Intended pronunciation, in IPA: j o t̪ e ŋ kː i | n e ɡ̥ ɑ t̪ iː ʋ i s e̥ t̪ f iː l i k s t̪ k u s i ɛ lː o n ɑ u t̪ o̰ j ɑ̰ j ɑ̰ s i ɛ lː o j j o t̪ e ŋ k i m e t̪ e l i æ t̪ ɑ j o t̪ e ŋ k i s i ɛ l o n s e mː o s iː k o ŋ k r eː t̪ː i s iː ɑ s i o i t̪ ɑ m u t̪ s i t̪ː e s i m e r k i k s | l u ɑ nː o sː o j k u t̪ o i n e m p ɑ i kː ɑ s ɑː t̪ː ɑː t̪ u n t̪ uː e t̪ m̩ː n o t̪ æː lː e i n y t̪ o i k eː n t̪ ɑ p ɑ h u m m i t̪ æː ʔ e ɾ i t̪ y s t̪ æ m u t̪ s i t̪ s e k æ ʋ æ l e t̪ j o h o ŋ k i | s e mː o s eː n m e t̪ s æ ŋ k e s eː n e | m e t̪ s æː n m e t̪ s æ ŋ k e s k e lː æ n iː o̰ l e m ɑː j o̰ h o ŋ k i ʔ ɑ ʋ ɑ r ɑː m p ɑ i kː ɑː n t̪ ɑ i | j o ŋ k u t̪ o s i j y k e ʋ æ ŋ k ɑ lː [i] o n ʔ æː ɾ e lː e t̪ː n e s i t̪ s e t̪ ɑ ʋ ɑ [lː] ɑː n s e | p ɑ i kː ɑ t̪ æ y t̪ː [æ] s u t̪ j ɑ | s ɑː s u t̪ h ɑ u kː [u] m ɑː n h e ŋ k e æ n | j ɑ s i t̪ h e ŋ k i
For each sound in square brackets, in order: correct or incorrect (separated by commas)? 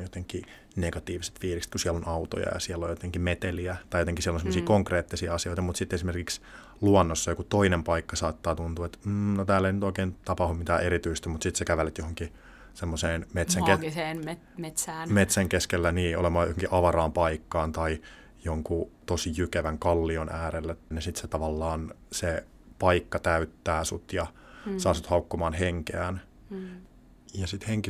correct, correct, incorrect, incorrect